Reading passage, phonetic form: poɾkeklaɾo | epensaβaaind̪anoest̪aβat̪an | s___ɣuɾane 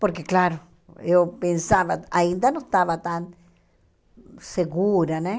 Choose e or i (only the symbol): e